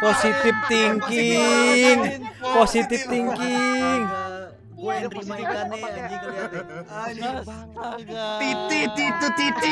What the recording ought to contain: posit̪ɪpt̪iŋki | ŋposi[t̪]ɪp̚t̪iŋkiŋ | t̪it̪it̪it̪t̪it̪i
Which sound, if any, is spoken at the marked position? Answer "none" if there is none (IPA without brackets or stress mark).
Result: t̪